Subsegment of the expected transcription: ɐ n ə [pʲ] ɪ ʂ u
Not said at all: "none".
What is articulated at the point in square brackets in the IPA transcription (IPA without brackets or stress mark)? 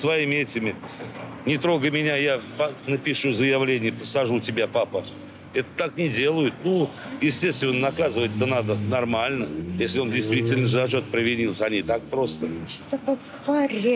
pʲ